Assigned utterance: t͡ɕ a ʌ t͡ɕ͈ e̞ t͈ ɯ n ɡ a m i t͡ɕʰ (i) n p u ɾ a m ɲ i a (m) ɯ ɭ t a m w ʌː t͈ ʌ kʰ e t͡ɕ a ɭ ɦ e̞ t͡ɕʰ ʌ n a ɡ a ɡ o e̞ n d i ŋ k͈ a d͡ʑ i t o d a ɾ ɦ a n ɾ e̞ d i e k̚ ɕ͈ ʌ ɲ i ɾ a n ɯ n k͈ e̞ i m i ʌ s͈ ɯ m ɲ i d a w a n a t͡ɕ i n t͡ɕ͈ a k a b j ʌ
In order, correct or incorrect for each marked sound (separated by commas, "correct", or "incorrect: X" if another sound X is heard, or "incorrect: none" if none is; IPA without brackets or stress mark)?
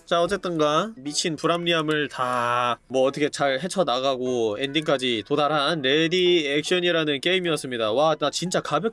correct, correct